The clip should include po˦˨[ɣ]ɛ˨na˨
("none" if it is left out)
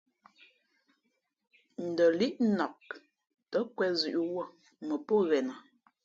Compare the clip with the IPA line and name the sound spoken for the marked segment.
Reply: ɣ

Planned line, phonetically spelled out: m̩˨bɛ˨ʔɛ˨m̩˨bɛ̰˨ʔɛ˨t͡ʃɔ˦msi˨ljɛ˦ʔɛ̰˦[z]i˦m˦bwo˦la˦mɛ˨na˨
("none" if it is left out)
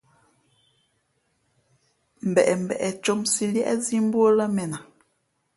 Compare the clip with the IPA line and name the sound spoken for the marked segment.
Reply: z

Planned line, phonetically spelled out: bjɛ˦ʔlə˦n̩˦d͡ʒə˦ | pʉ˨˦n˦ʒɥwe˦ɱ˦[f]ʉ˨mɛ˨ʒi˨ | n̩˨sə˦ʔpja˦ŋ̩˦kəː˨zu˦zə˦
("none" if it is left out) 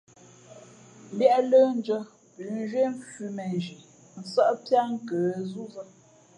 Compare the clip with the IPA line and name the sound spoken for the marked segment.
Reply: f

